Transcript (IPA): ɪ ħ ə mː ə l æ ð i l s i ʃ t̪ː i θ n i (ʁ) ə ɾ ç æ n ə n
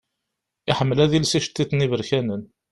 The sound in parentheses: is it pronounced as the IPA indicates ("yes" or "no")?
no